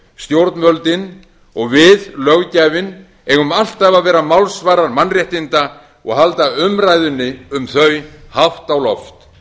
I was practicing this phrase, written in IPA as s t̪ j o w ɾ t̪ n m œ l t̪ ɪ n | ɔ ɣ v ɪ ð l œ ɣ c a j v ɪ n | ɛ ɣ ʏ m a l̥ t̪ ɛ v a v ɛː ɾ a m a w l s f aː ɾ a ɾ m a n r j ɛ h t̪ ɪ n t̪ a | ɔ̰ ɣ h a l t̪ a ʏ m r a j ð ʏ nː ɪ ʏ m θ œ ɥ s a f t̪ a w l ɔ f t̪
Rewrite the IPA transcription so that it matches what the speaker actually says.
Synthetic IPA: s t̪ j o w ɾ t̪ n m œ l t̪ ɪ n | ɔ ɣ v ɪ ð l œ ɣ c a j v ɪ n | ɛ ɣ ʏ m a l̥ t̪ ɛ v a v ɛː ɾ a m a w l s v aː ɾ a ɾ m a n r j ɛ h t̪ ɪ n t̪ a | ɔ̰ ɣ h a l t̪ a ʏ m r a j ð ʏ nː ɪ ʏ m θ œ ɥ h a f t̪ a w l ɔ f t̪